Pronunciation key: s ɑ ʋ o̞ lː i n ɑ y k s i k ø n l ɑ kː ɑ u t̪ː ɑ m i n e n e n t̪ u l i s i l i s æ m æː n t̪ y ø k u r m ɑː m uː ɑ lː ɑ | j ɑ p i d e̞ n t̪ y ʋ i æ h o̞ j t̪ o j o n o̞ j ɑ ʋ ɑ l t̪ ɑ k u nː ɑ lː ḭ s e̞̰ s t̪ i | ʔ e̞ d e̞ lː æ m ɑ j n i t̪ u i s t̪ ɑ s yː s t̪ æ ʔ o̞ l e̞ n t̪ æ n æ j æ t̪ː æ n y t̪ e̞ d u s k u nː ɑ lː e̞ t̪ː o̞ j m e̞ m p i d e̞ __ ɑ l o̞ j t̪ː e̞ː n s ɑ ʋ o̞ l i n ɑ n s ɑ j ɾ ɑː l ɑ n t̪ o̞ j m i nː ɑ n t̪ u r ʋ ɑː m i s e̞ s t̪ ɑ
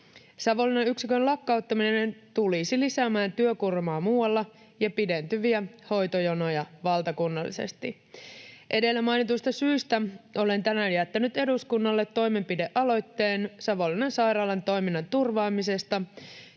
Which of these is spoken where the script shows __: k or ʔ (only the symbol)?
ʔ